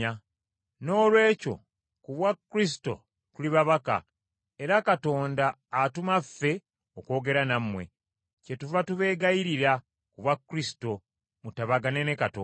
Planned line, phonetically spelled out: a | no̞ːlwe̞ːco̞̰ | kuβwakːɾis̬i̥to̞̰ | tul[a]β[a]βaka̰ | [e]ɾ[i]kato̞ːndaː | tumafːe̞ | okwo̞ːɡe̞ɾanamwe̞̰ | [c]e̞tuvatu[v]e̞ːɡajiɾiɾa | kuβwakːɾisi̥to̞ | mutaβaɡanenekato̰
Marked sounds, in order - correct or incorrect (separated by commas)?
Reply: incorrect, correct, correct, incorrect, correct, incorrect